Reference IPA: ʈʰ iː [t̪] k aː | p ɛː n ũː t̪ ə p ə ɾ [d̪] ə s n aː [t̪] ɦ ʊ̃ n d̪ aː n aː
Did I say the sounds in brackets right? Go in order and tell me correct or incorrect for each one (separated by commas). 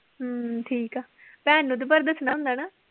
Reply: incorrect, correct, incorrect